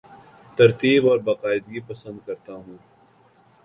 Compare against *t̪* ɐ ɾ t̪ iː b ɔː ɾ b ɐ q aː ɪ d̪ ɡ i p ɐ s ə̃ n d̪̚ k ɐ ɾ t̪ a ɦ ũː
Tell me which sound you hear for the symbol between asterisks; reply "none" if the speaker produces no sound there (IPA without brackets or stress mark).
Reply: t̪